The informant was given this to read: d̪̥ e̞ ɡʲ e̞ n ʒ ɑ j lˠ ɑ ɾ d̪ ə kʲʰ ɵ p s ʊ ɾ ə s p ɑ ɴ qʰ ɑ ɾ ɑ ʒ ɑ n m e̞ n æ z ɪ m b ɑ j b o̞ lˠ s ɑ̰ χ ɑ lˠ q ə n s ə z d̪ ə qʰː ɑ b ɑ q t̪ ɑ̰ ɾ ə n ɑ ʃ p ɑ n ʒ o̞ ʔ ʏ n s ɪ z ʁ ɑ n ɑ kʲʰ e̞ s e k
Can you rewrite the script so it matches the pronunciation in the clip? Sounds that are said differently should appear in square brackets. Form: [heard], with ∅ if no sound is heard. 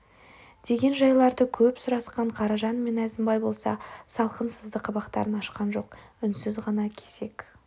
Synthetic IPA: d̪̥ e̞ ɡʲ e̞ n ʒ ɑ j lˠ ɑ ɾ d̪ ə kʲʰ ɵ p s ʊ ɾ [ɑ] s [q] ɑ ɴ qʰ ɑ ɾ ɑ ʒ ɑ n m e̞ n æ z ɪ m b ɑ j b o̞ lˠ s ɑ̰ [s] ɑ lˠ q ə n s ə z d̪ ə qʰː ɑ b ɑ q t̪ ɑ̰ ɾ ə n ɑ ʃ [q] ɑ n ʒ o̞ [q] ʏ n s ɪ z ʁ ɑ n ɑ kʲʰ e̞ s e k

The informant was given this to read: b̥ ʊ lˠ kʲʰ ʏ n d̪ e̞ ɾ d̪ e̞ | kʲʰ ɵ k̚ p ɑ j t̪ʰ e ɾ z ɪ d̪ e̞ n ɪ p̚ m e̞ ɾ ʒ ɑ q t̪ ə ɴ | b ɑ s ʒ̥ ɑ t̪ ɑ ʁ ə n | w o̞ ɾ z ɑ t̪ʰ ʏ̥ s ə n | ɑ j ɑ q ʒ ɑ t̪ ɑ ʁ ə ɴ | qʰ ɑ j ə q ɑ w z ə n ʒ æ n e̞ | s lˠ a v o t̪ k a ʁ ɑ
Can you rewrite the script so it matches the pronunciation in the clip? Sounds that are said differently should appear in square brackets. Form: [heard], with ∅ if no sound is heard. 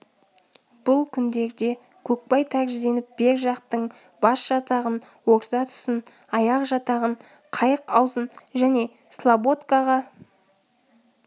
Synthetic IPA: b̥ ʊ lˠ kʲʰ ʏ n d̪ e̞ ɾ d̪ e̞ | kʲʰ ɵ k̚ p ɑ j t̪ʰ [æ] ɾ [ʒ] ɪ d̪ e̞ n ɪ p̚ [b] e̞ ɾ ʒ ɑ q t̪ ə ɴ | b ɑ s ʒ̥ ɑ t̪ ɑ ʁ ə n | w o̞ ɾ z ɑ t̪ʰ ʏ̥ s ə n | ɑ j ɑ q ʒ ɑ t̪ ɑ ʁ ə ɴ | qʰ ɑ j ə q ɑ w z ə n ʒ æ n e̞ | s lˠ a [b] o t̪ k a ʁ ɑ

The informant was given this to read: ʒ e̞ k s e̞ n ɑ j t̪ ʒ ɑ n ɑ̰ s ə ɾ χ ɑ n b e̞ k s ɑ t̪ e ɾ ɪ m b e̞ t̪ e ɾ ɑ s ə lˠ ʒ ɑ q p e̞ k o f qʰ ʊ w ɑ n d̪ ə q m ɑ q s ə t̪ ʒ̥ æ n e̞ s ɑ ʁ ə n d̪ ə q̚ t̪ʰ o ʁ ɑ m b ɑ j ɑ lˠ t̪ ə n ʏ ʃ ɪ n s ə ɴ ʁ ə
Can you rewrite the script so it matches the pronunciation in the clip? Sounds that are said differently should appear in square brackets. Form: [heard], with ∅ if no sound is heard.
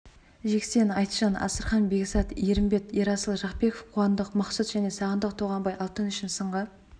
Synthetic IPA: ʒ e̞ k s e̞ n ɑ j t̪ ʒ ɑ n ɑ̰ s ə ɾ χ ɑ n b e̞ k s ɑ t̪ e ɾ ɪ m b e̞ t̪ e ɾ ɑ s ə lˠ ʒ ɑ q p e̞ k o f qʰ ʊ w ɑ n d̪ ə q m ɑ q s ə t̪ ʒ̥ æ n e̞ s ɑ ʁ ə n d̪ ə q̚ t̪ʰ o ʁ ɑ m b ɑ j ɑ lˠ t̪ ə n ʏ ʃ ɪ n s ə ɴ ʁ ə

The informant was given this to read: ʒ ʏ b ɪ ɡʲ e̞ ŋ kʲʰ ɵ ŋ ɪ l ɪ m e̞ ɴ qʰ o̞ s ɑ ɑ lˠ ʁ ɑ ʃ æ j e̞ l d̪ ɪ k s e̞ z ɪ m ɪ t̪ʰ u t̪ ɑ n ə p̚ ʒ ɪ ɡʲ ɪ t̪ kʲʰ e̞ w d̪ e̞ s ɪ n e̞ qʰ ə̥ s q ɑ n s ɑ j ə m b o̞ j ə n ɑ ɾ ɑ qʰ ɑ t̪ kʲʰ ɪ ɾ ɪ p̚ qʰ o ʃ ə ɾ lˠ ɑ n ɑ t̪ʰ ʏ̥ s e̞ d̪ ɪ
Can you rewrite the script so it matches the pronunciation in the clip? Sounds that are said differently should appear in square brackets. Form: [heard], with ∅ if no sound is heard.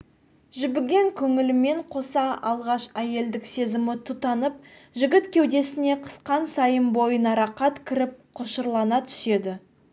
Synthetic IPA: ʒ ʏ b ɪ ɡʲ e̞ ŋ kʲʰ ɵ ŋ ɪ l ɪ m e̞ ɴ qʰ o̞ s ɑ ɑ lˠ ʁ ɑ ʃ æ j e̞ l d̪ ɪ k s e̞ z ɪ m ɪ t̪ʰ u t̪ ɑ n ə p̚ ʒ ɪ ɡʲ ɪ t̪ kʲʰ e̞ w d̪ e̞ s ɪ n e̞ qʰ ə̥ s q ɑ n s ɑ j ə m b o̞ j ə n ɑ ɾ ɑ [q] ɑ t̪ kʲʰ ɪ ɾ ɪ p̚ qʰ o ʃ ə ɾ lˠ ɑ n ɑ t̪ʰ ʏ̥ s e̞ d̪ ɪ

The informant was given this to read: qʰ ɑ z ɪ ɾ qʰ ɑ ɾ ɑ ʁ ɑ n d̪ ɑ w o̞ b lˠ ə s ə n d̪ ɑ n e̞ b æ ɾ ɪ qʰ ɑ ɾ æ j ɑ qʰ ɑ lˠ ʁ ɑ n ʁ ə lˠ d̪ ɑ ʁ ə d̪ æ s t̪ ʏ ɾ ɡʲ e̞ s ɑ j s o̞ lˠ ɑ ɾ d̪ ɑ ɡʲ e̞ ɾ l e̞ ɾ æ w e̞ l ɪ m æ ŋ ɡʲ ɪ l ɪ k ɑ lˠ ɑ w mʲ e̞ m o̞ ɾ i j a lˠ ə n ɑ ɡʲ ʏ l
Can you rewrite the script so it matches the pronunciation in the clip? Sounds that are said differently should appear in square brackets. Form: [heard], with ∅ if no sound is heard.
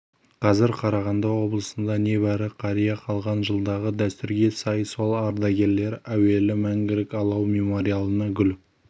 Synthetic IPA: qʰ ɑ z ɪ ɾ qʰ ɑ ɾ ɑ ʁ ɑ n d̪ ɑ w o̞ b lˠ ə s ə n d̪ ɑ n e̞ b æ ɾ ɪ qʰ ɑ ɾ [i] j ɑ qʰ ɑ lˠ ʁ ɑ n [ʒ] ə lˠ d̪ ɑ ʁ ə d̪ æ s t̪ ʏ ɾ ɡʲ e̞ s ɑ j s o̞ lˠ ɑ ɾ d̪ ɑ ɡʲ e̞ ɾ l e̞ ɾ æ w e̞ l ɪ m æ ŋ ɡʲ ɪ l ɪ k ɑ lˠ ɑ w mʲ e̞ m o̞ ɾ i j a lˠ ə n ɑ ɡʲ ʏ l

